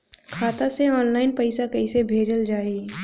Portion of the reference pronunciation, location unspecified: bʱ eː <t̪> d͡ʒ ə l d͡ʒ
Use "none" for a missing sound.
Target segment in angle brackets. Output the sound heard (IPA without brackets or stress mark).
none